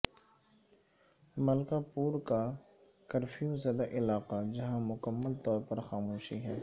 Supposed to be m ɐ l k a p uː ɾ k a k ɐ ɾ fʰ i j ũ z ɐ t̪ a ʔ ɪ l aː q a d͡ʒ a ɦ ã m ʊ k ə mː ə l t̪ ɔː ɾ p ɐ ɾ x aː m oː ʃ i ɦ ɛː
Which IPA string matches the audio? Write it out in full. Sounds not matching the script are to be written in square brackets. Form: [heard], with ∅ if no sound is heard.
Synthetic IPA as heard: m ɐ l k a p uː ɾ k a k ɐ ɾ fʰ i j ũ z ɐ [d̪] a ʔ ɪ l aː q a d͡ʒ [ɐ] ɦ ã m ʊ k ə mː ə l t̪ ɔː ɾ p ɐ ɾ x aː m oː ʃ i ɦ ɛː